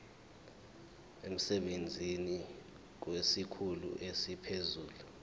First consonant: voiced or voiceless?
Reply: voiced